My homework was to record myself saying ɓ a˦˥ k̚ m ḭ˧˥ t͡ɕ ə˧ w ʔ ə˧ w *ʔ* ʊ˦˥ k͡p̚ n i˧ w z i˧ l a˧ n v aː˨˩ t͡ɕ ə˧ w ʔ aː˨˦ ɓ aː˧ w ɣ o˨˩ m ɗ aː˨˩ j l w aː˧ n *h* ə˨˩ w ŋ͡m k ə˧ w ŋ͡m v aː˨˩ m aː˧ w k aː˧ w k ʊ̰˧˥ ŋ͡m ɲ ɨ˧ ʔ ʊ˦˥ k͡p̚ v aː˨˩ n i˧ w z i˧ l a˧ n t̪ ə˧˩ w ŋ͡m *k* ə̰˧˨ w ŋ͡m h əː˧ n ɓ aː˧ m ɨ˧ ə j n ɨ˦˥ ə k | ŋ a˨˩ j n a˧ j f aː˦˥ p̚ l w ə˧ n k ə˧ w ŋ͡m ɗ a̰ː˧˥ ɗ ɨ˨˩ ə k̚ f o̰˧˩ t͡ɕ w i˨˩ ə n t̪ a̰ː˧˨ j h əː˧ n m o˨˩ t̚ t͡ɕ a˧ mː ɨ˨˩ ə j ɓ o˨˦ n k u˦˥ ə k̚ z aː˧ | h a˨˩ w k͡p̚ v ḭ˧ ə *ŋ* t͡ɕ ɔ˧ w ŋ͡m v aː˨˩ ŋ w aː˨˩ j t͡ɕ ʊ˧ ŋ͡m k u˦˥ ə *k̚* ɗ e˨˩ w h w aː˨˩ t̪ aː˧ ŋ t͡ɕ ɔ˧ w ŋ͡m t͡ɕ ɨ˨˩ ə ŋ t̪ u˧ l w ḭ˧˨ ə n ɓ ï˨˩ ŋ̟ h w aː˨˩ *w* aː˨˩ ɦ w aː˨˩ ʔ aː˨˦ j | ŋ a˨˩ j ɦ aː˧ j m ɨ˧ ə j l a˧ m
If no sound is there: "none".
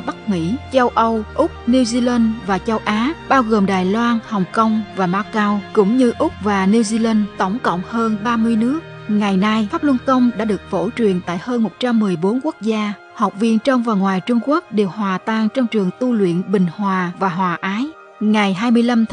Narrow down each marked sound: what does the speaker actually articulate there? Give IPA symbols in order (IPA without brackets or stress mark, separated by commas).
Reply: ʔ, h, k, n, k̚, v